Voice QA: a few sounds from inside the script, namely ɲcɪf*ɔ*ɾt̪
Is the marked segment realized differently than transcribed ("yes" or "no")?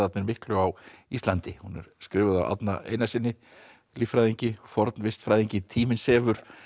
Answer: no